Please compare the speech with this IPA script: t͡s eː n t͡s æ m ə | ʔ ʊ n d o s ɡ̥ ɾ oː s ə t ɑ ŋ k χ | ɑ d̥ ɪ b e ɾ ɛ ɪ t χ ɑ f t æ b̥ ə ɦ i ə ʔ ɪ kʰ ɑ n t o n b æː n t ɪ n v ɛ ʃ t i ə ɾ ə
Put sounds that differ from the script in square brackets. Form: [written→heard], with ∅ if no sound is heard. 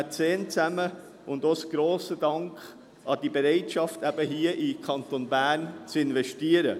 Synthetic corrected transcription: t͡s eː n t͡s æ m ə | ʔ ʊ n d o s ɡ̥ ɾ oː s ə [t→d] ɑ ŋ k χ | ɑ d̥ [ɪ→i] b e ɾ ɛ ɪ t [χ→ʃ] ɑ f t æ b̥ ə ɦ i ə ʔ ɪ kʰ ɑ n t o n b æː n [t→t͡s] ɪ n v ɛ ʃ t i ə ɾ ə